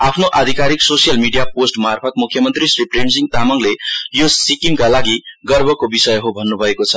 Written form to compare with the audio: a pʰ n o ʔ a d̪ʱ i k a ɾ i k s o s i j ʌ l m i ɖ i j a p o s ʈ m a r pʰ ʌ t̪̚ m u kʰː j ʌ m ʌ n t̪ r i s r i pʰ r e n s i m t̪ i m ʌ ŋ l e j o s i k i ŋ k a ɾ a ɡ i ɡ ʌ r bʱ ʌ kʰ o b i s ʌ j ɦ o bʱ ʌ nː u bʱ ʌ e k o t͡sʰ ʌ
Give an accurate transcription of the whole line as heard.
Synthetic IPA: a pʰ n o ʔ a d̪ʱ i k a ɾ i k s o s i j ʌ l m i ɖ i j a p o s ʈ m a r pʰ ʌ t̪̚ m u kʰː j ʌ m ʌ n t̪ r i s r i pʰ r e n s i ŋ t̪ a m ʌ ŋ l e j o s i k i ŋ k a l a ɡ i ɡ ʌ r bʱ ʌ k o b i s ʌ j ɦ o bʱ ʌ nː u bʱ ʌ e k o t͡sʰ ʌ

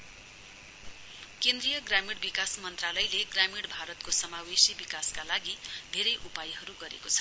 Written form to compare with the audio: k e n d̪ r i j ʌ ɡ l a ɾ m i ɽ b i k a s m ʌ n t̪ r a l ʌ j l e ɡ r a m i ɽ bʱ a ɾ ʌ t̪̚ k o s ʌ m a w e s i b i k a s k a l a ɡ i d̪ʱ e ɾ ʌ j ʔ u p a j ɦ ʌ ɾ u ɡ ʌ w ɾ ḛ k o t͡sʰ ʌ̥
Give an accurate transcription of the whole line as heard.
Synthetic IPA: k e n d̪ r i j ʌ ɡ r a m i ɽ b i k a s m ʌ n t̪ r a l ʌ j l e ɡ r a m i ɽ bʱ a ɾ ʌ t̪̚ k o s ʌ m a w e s i b i k a s k a l a ɡ i d̪ʱ e ɾ ʌ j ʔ u p a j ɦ ʌ ɾ u ɡ ʌ ɾ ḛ k o t͡sʰ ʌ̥

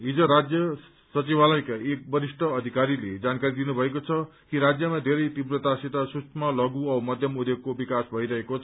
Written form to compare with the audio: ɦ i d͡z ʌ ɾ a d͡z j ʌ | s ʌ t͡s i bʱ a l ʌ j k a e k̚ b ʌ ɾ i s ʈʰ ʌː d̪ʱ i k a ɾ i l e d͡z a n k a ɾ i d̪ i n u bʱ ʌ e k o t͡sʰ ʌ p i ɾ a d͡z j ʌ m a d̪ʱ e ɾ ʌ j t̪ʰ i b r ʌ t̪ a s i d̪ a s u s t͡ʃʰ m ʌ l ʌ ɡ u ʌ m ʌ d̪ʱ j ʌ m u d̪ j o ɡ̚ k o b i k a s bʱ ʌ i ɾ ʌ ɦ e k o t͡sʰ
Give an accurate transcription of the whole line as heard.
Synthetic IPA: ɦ i d͡z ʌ ɾ a d͡z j ʌ | s ʌ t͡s i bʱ a l ʌ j k a e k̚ b ʌ ɾ i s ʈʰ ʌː d̪ʱ i k a ɾ i l e d͡z a n k a ɾ i d̪ i n u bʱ ʌ e k o t͡sʰ ʌ k i ɾ a d͡z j ʌ m a d̪ʱ e ɾ ʌ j t̪ i b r ʌ t̪ a s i t̪ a s u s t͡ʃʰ m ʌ l ʌ ɡ u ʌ m ʌ d̪ʱ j ʌ m u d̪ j o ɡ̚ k o b i k a s bʱ ʌ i ɾ ʌ ɦ e k o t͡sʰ

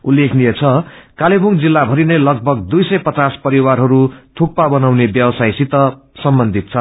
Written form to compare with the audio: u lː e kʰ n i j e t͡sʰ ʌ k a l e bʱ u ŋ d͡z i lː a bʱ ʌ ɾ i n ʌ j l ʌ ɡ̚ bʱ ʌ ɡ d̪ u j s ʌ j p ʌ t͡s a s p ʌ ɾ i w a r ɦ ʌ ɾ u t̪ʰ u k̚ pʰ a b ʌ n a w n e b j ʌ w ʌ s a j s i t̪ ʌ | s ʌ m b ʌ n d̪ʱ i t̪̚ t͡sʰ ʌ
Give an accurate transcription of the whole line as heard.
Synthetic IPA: u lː e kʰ n i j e t͡sʰ ʌ k a l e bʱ u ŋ d͡z i lː a bʱ ʌ ɾ i n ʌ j l ʌ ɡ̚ bʱ ʌ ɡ d̪ u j s ʌ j p ʌ t͡s a s p ʌ ɾ i w a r ɦ ʌ ɾ u t̪ʰ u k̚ p a b ʌ n a w n e b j ʌ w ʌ s a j s i t̪ ʌ | s ʌ m b ʌ n d̪ʱ i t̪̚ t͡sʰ ʌ

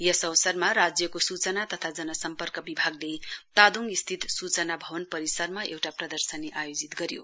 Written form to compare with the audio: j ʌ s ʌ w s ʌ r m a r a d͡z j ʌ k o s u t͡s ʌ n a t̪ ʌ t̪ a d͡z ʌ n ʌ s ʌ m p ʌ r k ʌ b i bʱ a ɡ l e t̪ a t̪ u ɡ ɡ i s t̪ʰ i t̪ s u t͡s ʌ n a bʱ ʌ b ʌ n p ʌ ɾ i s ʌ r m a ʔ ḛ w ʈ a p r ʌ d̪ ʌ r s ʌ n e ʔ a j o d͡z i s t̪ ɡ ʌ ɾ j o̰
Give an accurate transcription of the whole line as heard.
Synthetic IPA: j ʌ s ʌ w s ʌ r m a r a d͡z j ʌ k o s u t͡s ʌ n a t̪ ʌ t̪ʰ a d͡z ʌ n ʌ s ʌ m p ʌ r k ʌ b i bʱ a ɡ l e t̪ a d̪ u ŋ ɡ i s t̪ʰ i t̪ s u t͡s ʌ n a bʱ ʌ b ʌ n p ʌ ɾ i s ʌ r m a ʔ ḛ w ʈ a p r ʌ d̪ ʌ r s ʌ n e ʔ a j o d͡z i t̪ ɡ ʌ ɾ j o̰

